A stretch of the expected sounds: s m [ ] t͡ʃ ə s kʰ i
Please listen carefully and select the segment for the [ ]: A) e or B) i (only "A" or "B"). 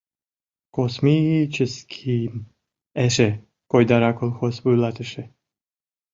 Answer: B